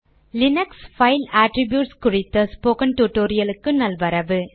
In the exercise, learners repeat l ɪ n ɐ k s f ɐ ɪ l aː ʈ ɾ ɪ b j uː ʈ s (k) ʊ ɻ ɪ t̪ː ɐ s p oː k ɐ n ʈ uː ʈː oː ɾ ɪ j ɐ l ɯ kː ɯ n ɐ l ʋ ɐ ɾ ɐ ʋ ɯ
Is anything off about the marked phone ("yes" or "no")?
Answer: no